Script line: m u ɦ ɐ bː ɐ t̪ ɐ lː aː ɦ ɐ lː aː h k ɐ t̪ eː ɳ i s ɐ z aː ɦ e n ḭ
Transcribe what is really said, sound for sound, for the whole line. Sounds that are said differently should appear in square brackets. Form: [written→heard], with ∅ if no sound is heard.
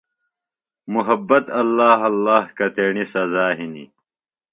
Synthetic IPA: m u ɦ ɐ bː ɐ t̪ ɐ lː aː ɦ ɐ lː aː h k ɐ t̪ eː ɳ i s ɐ z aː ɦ [e→i] n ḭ